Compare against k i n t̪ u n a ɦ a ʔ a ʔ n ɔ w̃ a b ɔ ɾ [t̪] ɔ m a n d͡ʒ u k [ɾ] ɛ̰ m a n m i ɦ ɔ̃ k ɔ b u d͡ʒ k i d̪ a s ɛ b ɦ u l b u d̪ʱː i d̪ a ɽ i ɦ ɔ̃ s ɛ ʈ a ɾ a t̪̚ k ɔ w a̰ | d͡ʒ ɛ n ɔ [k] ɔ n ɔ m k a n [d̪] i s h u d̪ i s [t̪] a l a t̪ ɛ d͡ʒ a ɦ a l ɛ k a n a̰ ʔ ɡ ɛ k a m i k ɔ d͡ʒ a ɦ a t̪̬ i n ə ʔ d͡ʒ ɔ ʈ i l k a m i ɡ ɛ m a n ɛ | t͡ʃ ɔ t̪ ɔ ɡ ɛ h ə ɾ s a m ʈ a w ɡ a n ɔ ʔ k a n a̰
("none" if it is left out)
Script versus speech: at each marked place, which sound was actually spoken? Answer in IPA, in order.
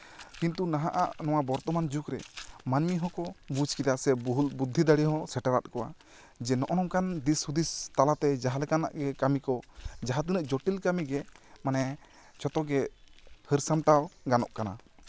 t̪, ɾ, ʔ, d̪, t̪

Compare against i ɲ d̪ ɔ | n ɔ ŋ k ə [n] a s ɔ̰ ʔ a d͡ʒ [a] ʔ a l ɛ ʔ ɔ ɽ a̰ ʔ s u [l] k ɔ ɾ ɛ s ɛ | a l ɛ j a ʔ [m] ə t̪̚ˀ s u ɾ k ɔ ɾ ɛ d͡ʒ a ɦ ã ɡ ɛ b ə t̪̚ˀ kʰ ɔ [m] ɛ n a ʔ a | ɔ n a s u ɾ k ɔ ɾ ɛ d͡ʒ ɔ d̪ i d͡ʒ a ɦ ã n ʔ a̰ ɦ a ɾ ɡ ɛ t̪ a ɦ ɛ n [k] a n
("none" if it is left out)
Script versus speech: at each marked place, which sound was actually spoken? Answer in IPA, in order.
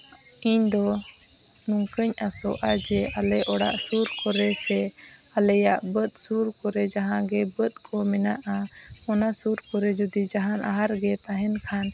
ɲ, ɛ, ɾ, b, m, kʰ

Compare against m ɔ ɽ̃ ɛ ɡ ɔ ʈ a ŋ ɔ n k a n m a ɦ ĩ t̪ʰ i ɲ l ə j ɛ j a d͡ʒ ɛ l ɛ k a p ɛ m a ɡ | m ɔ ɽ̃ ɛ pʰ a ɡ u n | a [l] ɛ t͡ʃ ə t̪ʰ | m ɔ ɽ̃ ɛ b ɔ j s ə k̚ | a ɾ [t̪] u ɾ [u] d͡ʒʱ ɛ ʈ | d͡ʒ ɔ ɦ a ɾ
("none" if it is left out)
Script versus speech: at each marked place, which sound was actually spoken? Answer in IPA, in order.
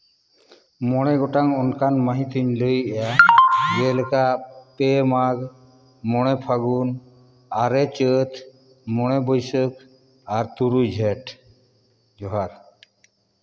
ɾ, t̪, u

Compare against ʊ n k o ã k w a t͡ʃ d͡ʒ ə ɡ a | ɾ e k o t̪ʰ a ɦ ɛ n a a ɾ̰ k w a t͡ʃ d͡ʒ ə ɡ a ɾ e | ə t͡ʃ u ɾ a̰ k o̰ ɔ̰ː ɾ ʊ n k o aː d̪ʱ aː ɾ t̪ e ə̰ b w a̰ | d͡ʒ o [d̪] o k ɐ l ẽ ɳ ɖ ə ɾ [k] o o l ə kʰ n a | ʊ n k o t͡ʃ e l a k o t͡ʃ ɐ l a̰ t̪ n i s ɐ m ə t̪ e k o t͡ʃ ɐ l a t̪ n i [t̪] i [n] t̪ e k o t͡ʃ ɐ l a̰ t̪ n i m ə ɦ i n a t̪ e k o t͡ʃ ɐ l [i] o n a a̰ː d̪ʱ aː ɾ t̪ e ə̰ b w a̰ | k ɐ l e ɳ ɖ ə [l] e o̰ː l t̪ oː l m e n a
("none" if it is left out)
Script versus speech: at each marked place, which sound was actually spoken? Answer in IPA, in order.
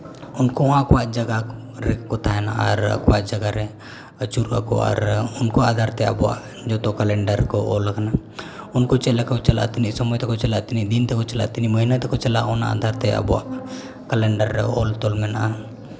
t̪, k, d̪, n, a, ɾ

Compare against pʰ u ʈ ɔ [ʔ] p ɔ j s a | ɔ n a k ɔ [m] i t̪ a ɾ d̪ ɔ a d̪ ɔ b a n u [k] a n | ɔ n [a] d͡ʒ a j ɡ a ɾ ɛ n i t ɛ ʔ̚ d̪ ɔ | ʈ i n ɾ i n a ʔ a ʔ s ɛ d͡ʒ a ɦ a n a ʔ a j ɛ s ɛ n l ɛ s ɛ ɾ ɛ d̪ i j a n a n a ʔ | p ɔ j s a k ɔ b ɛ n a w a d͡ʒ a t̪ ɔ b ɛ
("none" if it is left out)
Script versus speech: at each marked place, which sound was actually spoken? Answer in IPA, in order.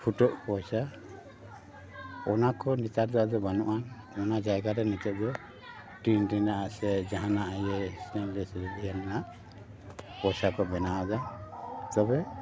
ʔ, n, ʔ, a

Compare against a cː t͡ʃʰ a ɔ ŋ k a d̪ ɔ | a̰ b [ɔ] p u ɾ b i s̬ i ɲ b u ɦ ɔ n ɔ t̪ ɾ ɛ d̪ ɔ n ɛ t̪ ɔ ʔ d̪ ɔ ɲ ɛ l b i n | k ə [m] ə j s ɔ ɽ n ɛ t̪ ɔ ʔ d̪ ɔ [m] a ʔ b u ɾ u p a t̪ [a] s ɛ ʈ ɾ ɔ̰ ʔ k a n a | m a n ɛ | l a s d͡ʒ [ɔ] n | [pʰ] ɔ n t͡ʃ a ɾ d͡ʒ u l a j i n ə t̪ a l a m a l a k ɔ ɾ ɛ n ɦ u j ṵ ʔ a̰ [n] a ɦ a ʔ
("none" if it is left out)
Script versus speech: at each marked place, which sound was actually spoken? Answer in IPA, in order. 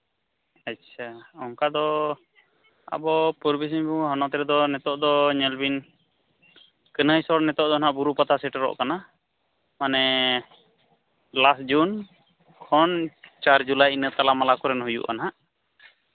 ɔ, n, n, a, u, kʰ, n

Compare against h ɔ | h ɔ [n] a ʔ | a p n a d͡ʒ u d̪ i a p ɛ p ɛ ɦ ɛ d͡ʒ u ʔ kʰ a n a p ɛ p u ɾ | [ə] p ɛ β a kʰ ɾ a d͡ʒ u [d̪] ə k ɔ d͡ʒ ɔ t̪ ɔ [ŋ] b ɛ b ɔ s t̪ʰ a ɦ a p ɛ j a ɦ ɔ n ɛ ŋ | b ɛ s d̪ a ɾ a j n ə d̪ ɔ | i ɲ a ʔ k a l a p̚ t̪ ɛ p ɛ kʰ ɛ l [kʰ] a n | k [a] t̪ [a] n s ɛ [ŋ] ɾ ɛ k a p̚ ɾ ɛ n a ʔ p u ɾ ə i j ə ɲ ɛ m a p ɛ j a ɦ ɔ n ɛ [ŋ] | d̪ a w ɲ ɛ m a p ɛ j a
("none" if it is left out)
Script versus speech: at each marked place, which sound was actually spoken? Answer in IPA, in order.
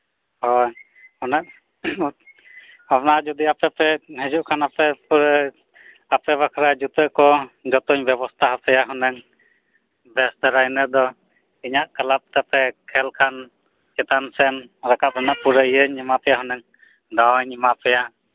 n, a, t̪, ɲ, kʰ, ɛ, a, n, ŋ

